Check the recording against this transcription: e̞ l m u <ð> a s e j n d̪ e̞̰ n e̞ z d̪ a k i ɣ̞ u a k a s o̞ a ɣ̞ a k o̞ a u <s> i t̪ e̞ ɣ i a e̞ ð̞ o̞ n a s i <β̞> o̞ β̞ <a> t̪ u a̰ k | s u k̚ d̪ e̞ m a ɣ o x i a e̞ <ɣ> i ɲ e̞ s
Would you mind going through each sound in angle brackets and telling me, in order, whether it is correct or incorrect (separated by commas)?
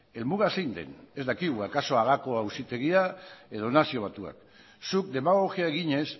incorrect, correct, incorrect, correct, correct